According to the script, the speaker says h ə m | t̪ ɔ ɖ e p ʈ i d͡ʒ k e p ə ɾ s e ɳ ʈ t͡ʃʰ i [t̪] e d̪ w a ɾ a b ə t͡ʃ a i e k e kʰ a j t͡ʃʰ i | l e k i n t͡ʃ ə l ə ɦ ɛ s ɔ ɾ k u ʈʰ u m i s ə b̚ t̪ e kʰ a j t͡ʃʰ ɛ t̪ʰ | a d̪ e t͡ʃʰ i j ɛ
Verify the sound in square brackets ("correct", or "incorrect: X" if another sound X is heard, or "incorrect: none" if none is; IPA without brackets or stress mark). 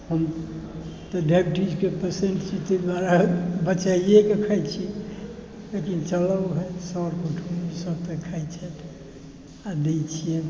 correct